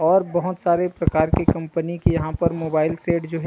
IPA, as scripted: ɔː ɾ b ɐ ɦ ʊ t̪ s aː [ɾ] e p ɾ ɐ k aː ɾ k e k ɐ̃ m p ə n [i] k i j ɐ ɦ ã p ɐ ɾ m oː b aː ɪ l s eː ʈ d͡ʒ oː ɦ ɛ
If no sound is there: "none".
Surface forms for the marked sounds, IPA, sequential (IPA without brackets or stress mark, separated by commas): ɾ, i